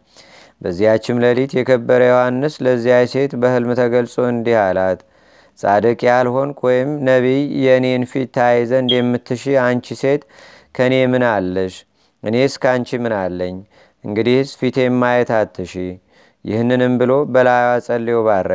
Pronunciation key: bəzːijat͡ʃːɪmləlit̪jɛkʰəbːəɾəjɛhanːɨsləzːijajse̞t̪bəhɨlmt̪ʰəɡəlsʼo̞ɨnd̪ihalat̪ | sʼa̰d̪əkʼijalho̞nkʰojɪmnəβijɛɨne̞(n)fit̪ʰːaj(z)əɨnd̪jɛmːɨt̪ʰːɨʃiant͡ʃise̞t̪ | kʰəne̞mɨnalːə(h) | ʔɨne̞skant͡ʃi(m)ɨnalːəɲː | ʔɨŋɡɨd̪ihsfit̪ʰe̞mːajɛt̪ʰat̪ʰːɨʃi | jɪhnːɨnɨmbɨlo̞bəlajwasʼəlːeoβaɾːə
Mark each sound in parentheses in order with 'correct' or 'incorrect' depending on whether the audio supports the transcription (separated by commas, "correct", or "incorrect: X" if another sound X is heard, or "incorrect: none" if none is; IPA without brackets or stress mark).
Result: correct, correct, incorrect: ʃ, correct